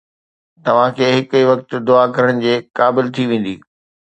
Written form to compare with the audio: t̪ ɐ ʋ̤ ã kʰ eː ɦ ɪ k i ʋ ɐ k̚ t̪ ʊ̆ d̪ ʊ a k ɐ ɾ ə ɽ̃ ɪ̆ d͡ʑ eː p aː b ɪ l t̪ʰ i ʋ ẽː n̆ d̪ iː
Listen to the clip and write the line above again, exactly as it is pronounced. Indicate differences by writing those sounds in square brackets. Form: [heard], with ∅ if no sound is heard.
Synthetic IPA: t̪ ɐ ʋ̤ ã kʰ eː ɦ ɪ k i ʋ ɐ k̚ t̪ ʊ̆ d̪ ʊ a k ɐ ɾ ə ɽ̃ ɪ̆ d͡ʑ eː [k] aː b ɪ l t̪ʰ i ʋ ẽː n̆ d̪ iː